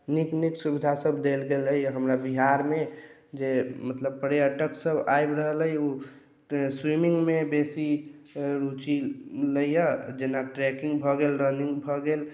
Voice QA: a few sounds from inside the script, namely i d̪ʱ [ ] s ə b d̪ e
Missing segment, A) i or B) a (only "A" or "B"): B